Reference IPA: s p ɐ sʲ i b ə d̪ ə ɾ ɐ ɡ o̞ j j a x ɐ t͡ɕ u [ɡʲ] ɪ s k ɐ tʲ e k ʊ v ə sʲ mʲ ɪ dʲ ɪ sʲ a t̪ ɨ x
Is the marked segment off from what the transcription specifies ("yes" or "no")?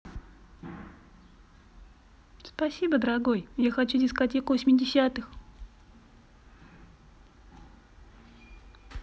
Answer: yes